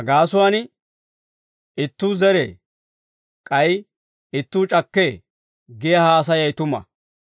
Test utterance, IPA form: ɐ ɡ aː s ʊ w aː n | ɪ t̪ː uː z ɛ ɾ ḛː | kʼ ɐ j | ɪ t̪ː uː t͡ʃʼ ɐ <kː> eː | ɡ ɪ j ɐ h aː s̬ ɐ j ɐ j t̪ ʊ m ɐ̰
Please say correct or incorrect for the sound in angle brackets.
correct